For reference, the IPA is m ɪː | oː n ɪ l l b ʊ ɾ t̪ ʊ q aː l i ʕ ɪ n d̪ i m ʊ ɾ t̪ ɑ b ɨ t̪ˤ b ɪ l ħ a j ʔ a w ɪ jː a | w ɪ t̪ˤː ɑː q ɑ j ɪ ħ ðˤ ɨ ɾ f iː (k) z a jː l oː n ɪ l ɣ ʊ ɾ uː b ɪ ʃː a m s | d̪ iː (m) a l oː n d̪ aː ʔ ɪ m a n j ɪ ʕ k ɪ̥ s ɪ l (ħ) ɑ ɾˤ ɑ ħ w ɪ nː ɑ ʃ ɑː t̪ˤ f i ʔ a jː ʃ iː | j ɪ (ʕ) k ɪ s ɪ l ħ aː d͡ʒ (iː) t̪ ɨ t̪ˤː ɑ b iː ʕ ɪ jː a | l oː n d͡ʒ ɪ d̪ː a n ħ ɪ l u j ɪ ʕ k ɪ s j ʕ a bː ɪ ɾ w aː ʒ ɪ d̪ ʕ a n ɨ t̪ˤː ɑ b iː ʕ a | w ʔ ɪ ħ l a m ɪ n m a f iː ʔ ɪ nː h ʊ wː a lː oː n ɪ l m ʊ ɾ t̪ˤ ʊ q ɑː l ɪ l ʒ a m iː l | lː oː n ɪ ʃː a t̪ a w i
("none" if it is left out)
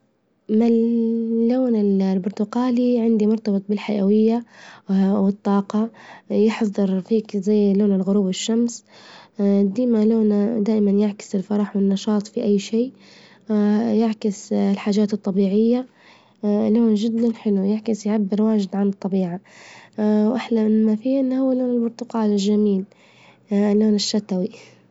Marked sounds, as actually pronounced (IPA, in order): k, m, f, ʕ, aː

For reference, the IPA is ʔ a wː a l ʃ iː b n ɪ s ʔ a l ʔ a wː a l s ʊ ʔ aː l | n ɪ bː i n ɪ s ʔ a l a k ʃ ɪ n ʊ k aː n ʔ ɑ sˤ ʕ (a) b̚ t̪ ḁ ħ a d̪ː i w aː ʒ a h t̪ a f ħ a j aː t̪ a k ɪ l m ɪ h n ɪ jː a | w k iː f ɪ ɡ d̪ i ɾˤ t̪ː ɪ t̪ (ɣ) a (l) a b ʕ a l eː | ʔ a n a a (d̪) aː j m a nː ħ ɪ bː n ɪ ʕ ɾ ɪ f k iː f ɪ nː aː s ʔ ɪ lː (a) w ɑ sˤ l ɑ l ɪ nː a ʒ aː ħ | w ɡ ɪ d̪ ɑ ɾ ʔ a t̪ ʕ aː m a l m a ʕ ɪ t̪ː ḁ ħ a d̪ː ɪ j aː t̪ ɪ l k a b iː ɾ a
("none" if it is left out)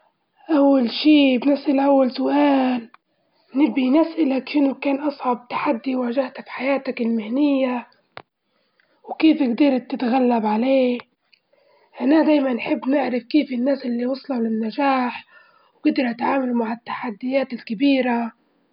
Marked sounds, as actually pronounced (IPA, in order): ɑ, ɣ, lː, d̪, i

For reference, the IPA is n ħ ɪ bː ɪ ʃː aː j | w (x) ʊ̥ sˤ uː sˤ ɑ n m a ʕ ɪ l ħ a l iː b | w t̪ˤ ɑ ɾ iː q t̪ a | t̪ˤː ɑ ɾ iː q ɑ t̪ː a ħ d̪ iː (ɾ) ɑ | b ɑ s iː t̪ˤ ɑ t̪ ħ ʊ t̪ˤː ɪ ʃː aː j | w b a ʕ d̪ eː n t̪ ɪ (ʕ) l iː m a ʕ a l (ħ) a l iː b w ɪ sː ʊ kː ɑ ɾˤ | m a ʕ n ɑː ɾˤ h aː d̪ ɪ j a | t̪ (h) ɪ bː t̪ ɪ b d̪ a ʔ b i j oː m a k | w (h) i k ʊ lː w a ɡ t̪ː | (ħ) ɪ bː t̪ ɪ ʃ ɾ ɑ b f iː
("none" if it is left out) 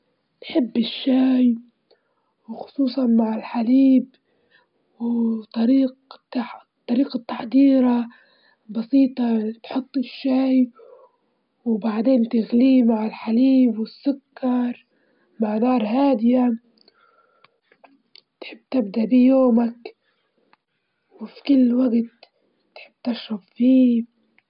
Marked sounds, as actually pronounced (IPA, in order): x, ɾ, ɣ, ħ, ħ, f, ħ

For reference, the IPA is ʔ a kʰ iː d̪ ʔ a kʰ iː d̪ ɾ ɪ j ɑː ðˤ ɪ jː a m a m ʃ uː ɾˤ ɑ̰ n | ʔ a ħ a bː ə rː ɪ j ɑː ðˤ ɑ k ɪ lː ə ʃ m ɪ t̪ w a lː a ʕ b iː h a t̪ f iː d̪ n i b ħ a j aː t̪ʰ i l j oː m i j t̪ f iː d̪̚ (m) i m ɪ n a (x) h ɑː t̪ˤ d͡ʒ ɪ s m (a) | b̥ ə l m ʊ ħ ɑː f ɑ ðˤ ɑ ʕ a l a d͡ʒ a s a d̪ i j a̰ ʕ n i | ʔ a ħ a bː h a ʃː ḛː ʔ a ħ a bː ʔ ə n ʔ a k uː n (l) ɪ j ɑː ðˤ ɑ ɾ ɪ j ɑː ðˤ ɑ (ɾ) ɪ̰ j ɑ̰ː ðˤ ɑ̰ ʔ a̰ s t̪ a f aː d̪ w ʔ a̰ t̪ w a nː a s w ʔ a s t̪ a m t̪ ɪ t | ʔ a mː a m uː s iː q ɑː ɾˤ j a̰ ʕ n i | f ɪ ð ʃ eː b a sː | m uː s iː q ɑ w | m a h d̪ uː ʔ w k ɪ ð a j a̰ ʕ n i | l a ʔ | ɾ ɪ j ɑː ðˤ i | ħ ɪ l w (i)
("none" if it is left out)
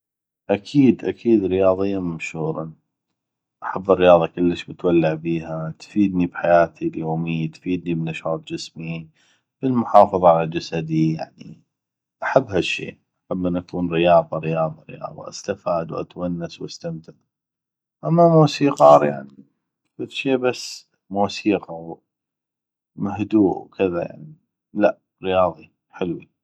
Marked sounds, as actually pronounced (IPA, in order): n, ʃ, i, ɾ, ɾ, i

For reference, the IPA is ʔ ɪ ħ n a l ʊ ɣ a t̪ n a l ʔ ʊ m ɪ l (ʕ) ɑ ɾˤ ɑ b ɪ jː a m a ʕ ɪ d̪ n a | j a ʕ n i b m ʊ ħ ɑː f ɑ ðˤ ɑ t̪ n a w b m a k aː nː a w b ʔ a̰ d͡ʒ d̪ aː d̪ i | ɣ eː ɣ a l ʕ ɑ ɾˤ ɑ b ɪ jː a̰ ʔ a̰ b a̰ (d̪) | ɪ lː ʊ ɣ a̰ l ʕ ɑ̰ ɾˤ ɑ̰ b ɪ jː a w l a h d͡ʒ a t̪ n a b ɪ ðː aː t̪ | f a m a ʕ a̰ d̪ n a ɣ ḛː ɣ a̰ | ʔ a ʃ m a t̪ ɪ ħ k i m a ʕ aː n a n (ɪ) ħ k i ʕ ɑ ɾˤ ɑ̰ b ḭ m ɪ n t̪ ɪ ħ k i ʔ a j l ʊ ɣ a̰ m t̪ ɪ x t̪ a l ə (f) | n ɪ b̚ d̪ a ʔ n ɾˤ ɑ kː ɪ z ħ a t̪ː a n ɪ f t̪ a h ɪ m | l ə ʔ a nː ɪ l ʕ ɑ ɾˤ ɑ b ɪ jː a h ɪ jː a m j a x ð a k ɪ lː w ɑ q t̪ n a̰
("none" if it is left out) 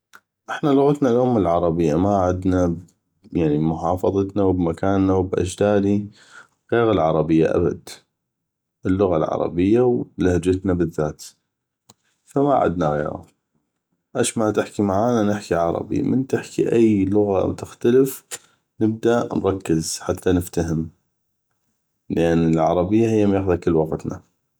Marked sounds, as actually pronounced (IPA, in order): ʕ, d̪, ɪ, f

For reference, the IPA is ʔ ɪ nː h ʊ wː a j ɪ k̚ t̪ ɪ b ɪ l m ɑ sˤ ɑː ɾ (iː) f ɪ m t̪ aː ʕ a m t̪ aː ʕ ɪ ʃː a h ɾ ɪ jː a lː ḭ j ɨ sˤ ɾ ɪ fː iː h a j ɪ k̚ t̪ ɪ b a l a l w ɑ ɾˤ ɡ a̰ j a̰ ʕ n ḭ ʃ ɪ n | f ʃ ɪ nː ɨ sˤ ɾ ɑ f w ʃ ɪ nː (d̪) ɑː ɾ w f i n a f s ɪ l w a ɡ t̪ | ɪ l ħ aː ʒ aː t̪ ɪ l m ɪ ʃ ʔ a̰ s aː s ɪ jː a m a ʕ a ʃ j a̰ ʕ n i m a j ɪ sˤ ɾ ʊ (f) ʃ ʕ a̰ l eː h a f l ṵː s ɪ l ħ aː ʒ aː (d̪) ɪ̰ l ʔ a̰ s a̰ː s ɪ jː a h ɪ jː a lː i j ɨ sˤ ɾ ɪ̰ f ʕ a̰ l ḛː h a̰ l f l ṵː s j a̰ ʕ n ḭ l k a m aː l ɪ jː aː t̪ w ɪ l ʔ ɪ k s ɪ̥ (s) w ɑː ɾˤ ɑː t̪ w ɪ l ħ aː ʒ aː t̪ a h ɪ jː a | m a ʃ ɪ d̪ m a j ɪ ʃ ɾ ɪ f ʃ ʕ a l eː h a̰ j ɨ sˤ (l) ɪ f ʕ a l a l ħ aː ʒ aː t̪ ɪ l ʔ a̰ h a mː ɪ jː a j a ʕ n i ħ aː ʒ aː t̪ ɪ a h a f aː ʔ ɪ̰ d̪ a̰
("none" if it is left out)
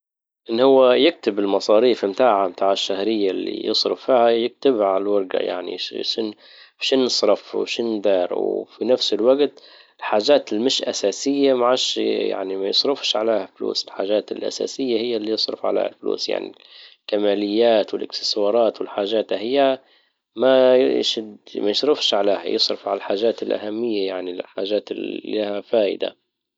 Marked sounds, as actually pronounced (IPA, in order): iː, d̪, f, t̪, s, ɾ

